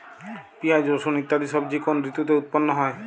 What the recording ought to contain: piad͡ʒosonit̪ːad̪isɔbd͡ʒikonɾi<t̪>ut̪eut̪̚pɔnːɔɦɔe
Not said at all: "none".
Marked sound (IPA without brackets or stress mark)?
t̪